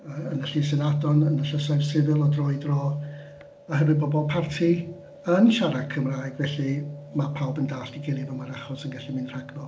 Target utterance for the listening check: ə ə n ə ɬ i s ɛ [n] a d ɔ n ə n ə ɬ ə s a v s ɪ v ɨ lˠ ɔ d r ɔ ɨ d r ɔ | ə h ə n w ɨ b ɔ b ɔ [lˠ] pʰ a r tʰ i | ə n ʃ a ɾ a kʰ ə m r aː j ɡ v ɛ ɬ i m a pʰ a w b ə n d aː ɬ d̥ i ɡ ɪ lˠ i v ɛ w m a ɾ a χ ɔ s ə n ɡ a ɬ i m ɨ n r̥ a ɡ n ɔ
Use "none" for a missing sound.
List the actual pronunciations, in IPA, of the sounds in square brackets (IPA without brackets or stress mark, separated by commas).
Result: n, lˠ